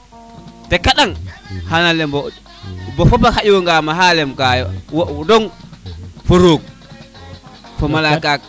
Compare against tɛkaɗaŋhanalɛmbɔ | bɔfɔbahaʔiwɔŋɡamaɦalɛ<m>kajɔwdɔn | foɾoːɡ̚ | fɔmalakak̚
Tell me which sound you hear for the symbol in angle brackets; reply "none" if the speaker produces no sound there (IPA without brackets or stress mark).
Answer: m